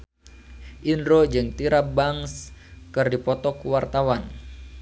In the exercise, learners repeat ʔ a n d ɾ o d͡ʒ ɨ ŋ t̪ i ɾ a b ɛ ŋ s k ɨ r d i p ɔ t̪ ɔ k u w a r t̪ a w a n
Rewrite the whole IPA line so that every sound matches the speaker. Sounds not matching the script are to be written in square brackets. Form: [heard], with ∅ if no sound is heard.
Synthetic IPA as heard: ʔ [i] n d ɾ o d͡ʒ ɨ ŋ t̪ i ɾ a b [a] ŋ s k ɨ r d i p ɔ t̪ ɔ k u w a r t̪ a w a n

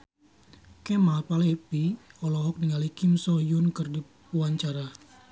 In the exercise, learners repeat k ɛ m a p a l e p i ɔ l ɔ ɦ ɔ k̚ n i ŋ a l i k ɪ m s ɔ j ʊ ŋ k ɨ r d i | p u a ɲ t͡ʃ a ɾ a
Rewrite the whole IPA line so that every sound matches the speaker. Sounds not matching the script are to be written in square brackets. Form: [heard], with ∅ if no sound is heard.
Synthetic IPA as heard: k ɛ m a p a l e p i ɔ l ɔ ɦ ɔ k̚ n i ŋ a l i k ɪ m s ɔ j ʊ [n] k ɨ r d i | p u a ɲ t͡ʃ a ɾ a

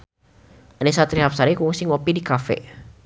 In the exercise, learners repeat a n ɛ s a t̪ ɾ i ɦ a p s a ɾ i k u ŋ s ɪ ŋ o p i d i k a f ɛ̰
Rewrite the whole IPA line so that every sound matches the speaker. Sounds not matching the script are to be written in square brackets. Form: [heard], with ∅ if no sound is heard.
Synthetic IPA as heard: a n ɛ s a t̪ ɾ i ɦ a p s a ɾ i k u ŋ s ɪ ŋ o p i d i k a f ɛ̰

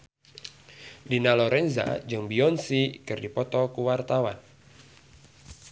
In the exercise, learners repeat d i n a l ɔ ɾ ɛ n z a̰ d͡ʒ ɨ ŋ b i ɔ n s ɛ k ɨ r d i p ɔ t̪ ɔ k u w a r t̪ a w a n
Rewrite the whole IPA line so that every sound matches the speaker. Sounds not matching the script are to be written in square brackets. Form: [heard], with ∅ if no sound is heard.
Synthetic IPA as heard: d i n a l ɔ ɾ ɛ n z a̰ d͡ʒ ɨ ŋ b i ɔ n s [i] k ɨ r d i p ɔ t̪ ɔ k u w a r t̪ a w a n

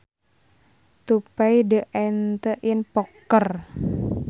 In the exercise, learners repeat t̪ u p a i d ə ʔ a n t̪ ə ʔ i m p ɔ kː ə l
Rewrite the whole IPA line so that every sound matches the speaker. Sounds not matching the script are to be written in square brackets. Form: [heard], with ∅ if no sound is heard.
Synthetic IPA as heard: t̪ u p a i d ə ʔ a n t̪ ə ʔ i [n] p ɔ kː ə [r]

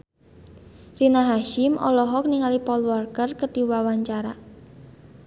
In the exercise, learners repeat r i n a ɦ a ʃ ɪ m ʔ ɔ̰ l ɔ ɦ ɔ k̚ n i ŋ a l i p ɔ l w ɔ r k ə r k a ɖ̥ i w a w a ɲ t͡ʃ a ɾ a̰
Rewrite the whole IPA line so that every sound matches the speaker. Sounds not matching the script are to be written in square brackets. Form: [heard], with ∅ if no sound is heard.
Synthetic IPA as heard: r i n a ɦ a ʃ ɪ m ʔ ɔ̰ l ɔ ɦ ɔ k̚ n i ŋ a l i p ɔ l w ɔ r k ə r k [ə] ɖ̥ i w a w a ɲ t͡ʃ a ɾ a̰

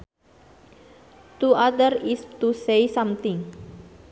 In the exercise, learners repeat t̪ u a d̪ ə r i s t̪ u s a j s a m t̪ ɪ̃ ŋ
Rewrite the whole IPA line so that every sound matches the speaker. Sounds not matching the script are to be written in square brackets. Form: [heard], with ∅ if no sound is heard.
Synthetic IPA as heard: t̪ u a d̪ ə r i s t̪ u s [e] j s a m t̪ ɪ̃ ŋ

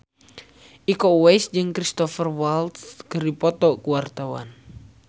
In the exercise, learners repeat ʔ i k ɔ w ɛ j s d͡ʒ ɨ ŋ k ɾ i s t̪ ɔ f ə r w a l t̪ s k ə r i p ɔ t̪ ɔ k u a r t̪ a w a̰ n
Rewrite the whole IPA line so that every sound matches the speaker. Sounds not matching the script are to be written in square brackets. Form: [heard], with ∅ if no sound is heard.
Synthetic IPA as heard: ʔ i k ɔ w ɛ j s d͡ʒ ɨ ŋ k ɾ i s t̪ ɔ f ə r w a l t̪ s k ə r i p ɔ t̪ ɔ k u a r t̪ a w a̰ n

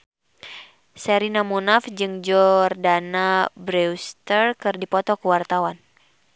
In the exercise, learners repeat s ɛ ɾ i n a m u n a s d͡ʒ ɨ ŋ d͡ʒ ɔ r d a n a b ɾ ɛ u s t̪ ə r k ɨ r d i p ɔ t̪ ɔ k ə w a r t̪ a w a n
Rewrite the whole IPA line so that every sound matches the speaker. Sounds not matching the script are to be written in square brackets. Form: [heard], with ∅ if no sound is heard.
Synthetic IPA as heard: s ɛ ɾ i n a m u n a [f] d͡ʒ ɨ ŋ d͡ʒ ɔ r d a n a b ɾ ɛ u s t̪ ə r k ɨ r d i p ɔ t̪ ɔ k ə w a r t̪ a w a n

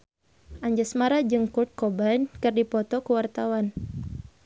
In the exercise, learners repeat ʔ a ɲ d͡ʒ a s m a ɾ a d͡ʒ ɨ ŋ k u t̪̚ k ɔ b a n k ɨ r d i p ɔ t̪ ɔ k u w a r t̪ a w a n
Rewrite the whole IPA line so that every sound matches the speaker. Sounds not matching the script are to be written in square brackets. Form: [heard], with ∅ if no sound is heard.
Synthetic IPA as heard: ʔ a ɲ d͡ʒ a s m a ɾ a d͡ʒ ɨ ŋ k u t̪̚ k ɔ b a n k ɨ r d i p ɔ t̪ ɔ k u w a r t̪ a w a n

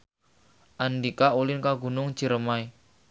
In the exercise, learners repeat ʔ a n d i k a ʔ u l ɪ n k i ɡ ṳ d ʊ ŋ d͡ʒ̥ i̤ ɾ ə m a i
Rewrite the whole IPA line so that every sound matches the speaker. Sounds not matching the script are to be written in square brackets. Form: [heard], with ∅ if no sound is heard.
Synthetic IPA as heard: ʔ a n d i k a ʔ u l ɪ n k [a] ɡ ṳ [n] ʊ ŋ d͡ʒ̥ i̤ ɾ ə m a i

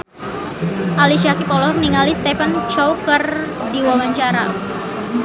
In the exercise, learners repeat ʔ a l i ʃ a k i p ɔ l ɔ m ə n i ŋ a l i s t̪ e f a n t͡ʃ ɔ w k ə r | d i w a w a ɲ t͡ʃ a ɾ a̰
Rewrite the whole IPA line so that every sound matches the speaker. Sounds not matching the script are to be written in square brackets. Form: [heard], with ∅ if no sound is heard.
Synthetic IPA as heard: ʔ a l i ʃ a k i p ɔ l ɔ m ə n i ŋ a l i s t̪ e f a n t͡ʃ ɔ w k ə r | d i w a w a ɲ t͡ʃ a ɾ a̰

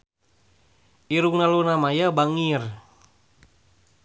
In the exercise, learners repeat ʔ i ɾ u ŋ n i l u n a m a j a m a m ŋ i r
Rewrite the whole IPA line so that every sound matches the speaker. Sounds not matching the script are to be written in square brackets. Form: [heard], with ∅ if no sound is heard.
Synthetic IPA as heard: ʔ i ɾ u ŋ n [a] l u n a m a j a [b] a [∅] ŋ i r

